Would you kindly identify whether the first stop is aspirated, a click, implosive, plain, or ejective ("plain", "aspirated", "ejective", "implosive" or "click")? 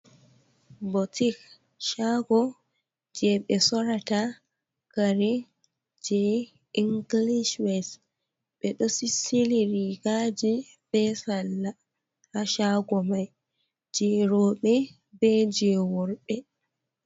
plain